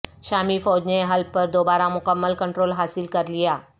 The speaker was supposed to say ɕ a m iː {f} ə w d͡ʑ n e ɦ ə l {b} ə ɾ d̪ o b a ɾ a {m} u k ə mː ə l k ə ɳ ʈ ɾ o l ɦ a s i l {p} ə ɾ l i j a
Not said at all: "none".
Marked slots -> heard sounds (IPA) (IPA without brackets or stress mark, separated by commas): f, p, m, k